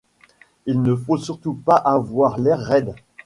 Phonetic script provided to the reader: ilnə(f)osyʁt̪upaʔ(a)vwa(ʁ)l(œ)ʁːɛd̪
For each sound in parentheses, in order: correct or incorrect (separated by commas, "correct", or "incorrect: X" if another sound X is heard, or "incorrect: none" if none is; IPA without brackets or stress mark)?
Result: correct, correct, correct, incorrect: ɛ